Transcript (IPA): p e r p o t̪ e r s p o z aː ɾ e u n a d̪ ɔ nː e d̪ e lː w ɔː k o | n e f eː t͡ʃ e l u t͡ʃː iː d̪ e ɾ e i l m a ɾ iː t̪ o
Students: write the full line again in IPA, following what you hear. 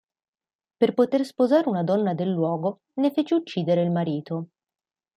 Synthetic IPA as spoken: p e r p o t̪ e r s p o z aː ɾ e u n a d̪ ɔ nː a d̪ e lː w ɔː ɡ o | n e f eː t͡ʃ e u t͡ʃː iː d̪ e ɾ e i l m a ɾ iː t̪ o